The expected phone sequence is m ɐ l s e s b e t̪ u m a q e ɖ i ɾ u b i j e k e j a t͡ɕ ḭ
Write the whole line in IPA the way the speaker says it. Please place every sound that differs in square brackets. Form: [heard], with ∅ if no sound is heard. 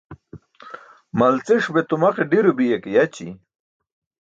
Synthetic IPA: m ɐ l [t͡s] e [ʂ] b e t̪ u m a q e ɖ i ɾ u b i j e k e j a t͡ɕ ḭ